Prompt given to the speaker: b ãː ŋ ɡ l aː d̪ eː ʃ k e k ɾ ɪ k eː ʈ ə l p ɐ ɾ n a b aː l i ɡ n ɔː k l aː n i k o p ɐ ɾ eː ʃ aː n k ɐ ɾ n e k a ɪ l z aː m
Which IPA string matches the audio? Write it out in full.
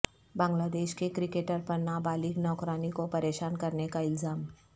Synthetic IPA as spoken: b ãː ŋ ɡ l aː d̪ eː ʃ k e k ɾ ɪ k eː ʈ ə ɾ p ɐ ɾ n a b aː l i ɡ n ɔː k ɾ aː n i k o p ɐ ɾ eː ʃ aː n k ɐ ɾ n e k a ɪ l z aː m